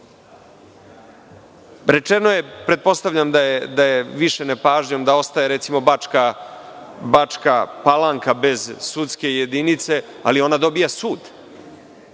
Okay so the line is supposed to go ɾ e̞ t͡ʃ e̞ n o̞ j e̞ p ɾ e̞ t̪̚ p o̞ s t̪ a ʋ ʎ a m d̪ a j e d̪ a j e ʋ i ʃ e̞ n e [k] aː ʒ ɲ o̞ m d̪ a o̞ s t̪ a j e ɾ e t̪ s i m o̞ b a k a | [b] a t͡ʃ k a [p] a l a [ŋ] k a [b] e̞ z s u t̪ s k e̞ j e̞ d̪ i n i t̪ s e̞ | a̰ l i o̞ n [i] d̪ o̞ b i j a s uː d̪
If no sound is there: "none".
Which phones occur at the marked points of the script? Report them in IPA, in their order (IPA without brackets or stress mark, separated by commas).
p, b, p, ŋ, b, a